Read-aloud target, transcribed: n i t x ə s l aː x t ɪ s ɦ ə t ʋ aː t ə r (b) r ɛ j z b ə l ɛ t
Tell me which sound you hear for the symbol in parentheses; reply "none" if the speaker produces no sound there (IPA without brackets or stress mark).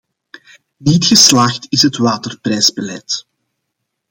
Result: p